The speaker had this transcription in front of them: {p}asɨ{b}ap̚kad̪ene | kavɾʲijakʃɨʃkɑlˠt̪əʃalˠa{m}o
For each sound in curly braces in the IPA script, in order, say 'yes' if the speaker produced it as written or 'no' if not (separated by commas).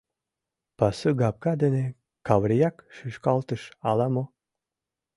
yes, no, yes